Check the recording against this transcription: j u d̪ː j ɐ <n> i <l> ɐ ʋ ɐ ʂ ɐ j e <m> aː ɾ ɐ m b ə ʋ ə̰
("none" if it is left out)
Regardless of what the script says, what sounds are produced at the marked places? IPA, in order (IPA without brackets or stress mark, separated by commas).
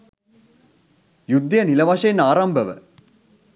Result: n, l, n